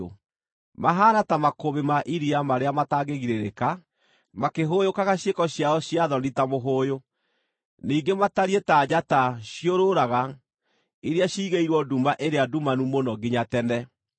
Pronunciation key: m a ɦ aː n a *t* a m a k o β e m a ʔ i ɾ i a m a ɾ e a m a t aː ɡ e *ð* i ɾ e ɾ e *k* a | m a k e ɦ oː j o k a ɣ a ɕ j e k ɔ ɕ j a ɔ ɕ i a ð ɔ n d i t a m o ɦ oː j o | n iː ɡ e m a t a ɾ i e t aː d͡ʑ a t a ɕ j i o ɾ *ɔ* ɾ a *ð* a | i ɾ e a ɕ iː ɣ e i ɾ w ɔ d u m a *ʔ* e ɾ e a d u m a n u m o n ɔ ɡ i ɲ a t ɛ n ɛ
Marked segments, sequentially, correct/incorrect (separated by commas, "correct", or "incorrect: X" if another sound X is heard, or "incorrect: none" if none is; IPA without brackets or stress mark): correct, incorrect: ɣ, correct, incorrect: o, incorrect: ɣ, correct